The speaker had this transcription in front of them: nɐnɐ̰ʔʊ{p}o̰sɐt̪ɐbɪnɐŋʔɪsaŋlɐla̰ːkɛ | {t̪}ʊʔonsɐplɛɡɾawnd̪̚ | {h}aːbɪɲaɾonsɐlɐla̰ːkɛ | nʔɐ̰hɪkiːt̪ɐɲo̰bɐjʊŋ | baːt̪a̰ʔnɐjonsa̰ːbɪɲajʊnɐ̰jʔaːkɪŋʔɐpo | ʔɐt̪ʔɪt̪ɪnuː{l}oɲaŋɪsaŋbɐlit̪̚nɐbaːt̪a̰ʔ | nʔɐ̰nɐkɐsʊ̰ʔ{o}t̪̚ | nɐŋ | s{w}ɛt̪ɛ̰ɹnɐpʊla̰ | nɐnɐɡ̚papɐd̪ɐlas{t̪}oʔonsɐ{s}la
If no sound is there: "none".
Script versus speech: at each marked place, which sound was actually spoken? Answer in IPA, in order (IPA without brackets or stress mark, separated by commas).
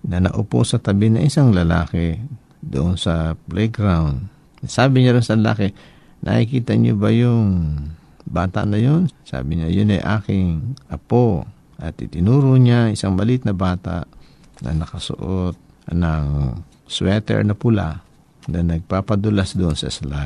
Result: p, d̪, s, ɾ, o, w, d̪, s